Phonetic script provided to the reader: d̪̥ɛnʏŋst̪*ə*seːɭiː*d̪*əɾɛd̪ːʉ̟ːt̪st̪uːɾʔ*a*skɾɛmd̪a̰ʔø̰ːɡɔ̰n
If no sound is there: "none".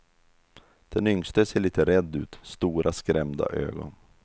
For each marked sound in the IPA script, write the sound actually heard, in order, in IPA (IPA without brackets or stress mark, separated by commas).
ə, t̪, a